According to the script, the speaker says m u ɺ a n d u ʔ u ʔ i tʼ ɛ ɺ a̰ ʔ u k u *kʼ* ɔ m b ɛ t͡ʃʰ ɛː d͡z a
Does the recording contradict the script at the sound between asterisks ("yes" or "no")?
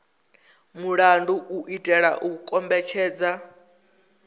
no